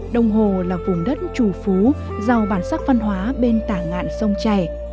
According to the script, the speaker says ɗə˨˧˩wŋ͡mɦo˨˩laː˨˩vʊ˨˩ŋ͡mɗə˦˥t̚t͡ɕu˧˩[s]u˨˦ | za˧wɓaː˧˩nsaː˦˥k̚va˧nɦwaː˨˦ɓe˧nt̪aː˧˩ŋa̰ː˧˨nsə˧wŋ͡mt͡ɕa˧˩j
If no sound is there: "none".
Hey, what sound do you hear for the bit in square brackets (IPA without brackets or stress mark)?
f